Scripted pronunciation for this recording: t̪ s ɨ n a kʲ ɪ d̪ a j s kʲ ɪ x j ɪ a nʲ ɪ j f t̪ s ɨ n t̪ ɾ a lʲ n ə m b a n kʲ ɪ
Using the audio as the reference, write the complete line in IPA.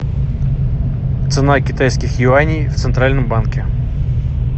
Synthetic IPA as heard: t̪ s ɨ n a kʲ ɪ t̪ a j s kʲ ɪ x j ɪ a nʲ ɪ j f t̪ s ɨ n t̪ ɾ a lʲ n ə m b a n kʲ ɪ